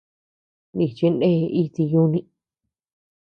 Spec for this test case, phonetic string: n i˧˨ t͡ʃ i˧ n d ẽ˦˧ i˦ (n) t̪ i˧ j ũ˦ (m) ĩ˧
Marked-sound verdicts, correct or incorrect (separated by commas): incorrect, incorrect